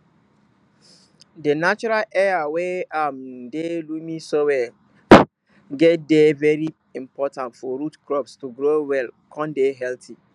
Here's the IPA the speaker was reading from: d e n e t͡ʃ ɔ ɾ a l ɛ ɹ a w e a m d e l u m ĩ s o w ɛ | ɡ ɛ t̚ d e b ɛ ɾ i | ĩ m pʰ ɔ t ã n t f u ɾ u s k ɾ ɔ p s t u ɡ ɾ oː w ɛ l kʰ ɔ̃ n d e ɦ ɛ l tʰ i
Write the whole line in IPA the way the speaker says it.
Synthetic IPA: d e n a t͡ʃ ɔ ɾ a l ɛ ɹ a w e a m d e l u m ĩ s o w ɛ | ɡ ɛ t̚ d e v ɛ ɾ i | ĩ m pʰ ɔ t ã n t f ɔ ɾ u t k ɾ ɔ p s t u ɡ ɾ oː w ɛ l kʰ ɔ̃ n d e ɦ ɛ l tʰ i